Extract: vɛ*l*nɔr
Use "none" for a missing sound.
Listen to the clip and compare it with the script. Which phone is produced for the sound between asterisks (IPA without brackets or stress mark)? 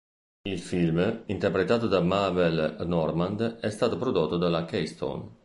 l